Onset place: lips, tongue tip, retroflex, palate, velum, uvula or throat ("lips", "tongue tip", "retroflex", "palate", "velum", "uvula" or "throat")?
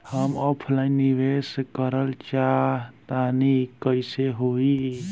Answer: throat